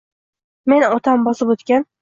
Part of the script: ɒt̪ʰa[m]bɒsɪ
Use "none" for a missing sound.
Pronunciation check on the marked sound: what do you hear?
m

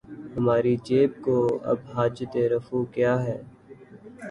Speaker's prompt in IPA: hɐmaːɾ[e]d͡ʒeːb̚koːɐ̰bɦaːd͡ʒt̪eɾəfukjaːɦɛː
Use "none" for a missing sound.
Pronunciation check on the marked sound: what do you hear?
i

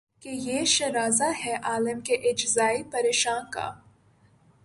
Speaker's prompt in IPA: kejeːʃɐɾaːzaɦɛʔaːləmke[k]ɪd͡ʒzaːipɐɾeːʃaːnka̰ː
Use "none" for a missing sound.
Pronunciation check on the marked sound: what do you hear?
ʔ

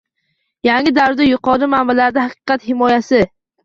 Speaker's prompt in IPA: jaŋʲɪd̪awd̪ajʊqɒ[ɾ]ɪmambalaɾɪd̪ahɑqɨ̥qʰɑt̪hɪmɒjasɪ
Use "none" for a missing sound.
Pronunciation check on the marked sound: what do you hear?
ɾ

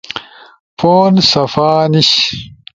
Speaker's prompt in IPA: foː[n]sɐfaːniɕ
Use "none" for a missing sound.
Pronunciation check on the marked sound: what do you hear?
n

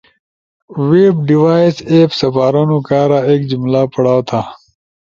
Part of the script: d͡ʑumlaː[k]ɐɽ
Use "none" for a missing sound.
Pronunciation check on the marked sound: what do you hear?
p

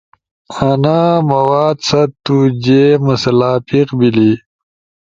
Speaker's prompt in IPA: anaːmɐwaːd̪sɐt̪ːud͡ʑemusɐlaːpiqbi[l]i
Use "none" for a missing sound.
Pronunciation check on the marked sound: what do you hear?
l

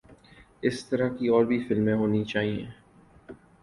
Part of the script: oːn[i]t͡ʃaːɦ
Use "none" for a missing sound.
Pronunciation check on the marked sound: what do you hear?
i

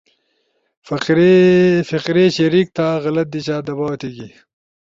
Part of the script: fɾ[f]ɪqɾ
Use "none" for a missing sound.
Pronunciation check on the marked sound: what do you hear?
f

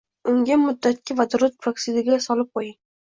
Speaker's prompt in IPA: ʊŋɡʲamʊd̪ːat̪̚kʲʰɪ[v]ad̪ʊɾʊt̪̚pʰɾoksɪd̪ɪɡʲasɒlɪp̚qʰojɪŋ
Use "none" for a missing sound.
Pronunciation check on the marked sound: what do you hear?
v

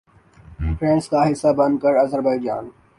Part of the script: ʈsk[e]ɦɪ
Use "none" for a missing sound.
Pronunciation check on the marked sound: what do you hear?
a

